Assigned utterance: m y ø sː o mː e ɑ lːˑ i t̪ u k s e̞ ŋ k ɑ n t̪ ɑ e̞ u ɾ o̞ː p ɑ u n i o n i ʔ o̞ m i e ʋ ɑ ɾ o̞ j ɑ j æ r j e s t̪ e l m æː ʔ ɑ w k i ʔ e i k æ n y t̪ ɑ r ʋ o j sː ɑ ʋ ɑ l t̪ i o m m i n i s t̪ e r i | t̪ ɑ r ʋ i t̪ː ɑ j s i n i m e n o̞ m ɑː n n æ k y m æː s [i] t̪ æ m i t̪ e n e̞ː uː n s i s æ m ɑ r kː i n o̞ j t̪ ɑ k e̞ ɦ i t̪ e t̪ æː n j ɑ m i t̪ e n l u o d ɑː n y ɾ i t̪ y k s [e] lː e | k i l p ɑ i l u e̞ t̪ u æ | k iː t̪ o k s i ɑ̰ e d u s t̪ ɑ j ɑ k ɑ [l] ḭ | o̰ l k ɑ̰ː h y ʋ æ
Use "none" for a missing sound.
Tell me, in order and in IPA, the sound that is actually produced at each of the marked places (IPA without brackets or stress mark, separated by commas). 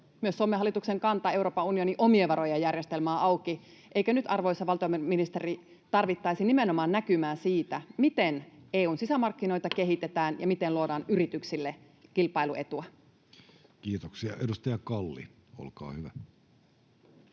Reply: iː, i, lː